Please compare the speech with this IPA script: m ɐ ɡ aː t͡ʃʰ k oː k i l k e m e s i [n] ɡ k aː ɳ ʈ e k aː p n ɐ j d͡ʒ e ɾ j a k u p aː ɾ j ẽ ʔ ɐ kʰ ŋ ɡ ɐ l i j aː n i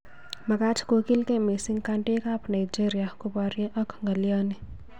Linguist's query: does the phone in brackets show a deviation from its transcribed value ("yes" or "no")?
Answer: yes